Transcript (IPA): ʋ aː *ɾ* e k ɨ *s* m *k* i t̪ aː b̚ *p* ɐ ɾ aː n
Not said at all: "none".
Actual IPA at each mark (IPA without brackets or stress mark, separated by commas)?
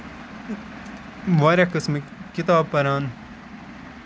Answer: ɾ, s, k, p